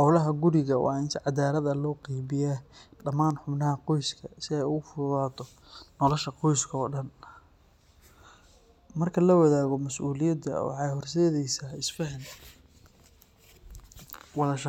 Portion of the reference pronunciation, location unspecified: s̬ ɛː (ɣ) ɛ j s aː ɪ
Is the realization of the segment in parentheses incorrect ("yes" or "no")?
yes